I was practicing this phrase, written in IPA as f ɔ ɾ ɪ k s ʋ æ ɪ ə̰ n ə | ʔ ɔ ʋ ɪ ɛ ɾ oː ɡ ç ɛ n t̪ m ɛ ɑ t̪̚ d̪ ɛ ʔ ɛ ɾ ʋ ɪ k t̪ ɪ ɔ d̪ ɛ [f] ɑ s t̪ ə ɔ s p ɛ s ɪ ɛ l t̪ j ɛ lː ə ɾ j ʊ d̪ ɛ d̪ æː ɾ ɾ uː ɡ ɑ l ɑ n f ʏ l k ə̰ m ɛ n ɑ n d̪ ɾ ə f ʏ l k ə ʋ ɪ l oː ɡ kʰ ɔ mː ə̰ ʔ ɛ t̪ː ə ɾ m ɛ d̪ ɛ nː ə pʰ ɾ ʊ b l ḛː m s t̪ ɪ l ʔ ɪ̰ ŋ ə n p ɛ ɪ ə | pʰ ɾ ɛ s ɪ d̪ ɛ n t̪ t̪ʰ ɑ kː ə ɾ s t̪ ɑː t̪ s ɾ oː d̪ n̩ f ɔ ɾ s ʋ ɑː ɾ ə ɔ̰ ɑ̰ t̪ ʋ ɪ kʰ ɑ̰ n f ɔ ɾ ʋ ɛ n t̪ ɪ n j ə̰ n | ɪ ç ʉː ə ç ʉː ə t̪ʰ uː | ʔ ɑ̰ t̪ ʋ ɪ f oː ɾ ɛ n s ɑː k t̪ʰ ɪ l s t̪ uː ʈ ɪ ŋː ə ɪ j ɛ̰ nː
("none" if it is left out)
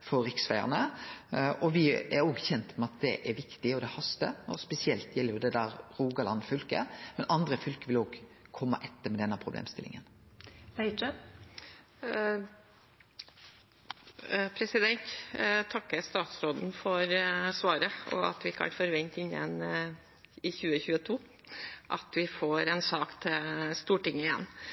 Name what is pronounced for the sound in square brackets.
h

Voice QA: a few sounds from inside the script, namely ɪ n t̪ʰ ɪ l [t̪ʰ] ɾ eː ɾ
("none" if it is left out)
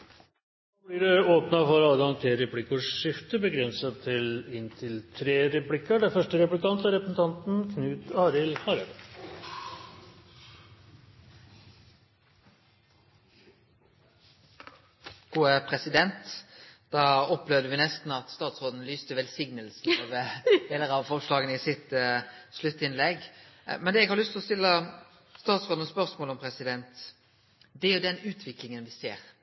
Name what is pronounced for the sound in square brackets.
t̪ʰ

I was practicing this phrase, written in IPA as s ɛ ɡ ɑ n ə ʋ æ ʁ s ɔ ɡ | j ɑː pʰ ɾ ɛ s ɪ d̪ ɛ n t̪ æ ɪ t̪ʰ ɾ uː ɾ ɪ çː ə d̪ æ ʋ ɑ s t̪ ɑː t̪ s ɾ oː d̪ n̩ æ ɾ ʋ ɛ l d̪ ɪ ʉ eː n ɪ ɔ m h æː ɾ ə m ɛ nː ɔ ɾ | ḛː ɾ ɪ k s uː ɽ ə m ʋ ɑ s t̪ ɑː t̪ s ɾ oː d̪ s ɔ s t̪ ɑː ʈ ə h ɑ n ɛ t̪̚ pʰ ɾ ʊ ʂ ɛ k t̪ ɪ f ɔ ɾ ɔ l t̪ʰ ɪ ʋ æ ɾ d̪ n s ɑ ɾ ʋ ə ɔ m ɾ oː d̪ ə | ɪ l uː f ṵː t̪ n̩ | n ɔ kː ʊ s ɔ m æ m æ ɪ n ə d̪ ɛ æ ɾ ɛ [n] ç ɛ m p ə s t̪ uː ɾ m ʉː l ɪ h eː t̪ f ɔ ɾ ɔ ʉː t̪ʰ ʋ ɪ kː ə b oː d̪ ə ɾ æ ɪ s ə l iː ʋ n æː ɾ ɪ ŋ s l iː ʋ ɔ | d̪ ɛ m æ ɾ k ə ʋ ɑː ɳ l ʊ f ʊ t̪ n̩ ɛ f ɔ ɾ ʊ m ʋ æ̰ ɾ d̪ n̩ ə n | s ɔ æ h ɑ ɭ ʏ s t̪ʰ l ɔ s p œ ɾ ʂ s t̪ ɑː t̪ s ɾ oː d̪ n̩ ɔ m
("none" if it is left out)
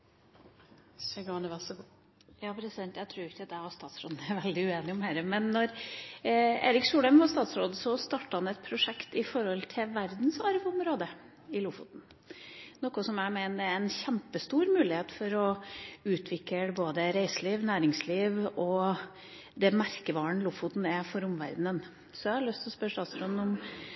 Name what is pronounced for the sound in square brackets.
n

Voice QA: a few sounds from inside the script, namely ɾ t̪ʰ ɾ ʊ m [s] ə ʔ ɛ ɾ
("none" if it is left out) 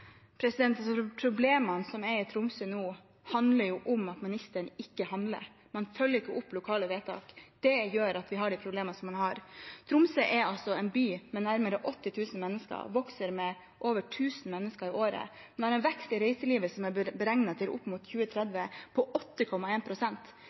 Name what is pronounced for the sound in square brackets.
s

